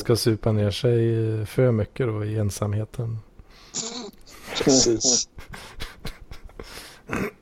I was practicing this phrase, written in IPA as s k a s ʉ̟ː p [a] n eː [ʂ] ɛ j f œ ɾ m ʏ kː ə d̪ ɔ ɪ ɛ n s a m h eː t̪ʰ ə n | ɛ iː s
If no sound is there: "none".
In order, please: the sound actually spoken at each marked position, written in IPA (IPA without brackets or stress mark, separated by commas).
a, ʂ